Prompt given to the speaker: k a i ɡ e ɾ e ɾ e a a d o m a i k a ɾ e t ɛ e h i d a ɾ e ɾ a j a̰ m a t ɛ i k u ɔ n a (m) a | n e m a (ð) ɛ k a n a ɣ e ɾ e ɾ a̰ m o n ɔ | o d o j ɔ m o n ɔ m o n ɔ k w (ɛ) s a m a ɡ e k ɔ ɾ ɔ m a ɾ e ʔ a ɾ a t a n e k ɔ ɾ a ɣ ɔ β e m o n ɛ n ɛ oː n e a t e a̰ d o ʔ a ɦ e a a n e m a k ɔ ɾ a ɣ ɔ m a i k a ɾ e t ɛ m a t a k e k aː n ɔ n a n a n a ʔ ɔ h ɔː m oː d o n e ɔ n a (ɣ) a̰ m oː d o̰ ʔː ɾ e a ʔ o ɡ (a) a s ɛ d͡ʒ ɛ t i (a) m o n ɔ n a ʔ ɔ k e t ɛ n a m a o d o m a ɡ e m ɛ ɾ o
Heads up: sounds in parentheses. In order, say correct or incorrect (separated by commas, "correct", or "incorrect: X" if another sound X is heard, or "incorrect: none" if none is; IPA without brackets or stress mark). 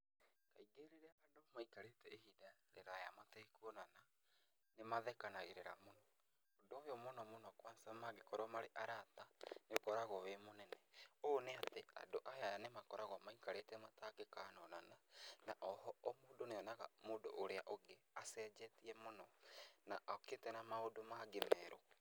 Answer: incorrect: n, correct, incorrect: a, correct, incorrect: e, incorrect: ɛ